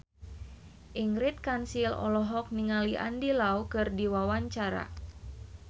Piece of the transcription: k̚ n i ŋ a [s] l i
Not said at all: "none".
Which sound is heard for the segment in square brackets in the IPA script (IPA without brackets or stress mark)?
none